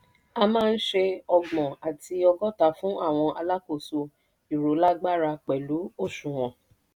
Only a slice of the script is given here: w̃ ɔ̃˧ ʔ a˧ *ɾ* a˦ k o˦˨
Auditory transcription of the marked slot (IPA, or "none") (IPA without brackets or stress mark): l